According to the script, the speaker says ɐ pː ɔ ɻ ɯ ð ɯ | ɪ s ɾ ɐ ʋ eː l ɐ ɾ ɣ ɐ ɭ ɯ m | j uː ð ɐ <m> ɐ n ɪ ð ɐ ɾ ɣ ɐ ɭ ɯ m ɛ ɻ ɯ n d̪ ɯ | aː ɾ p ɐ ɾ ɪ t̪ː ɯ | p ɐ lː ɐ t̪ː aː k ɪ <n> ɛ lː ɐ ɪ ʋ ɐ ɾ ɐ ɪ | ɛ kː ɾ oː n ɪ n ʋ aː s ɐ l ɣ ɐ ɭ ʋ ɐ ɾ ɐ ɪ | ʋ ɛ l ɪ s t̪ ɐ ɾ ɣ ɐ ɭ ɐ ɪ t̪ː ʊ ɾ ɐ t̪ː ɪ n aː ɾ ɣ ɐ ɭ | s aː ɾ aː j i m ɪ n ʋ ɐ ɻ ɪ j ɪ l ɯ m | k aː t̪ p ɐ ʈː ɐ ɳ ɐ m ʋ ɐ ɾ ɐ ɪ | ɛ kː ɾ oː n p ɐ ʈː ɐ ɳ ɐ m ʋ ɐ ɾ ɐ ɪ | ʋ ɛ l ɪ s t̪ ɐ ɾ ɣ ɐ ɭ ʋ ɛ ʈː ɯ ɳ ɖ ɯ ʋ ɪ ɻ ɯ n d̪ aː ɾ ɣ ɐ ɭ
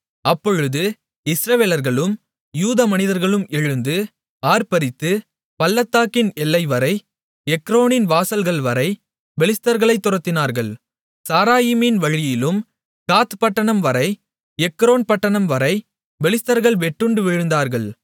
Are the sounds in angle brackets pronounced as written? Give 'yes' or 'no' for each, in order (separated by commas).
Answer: yes, yes